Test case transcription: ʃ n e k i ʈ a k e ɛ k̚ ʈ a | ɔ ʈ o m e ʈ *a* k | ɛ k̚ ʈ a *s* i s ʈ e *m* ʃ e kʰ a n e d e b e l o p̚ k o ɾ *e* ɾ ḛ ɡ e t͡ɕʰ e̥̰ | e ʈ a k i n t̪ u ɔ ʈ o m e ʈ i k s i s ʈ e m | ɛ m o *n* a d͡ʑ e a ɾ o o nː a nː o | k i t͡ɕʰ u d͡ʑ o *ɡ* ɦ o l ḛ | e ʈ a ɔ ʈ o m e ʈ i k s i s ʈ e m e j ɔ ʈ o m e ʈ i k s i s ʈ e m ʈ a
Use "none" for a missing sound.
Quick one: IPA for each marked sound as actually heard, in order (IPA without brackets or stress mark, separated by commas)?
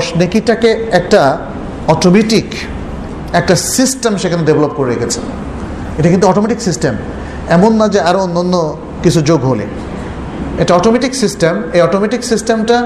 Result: i, s, m, e, nː, ɡ